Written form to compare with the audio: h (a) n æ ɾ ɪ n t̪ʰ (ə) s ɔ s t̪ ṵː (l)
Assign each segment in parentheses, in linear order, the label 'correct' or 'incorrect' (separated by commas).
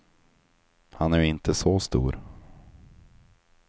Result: correct, correct, incorrect